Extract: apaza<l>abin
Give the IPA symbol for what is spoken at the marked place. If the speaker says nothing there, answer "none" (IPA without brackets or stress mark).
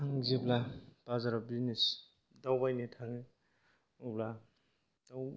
ɾ